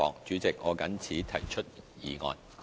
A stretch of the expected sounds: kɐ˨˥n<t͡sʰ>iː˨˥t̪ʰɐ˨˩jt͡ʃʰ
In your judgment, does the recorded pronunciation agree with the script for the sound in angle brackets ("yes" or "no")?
yes